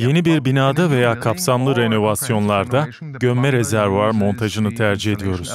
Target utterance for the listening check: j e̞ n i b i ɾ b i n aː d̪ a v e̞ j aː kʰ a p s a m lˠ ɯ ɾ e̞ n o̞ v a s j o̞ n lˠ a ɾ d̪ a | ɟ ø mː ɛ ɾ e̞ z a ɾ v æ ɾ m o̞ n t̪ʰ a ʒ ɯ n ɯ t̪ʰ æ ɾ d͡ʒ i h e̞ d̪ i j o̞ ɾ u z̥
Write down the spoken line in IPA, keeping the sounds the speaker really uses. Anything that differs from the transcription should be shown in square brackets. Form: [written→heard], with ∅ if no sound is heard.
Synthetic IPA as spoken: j e̞ n i b i ɾ b i n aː d̪ a v e̞ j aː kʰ a p s a m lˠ ɯ ɾ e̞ n o̞ v a s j o̞ n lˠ a ɾ d̪ a | ɟ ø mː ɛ ɾ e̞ z [a→æ] ɾ v [æ→a] ɾ m o̞ n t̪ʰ a ʒ ɯ n ɯ t̪ʰ æ ɾ d͡ʒ i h e̞ d̪ i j o̞ ɾ u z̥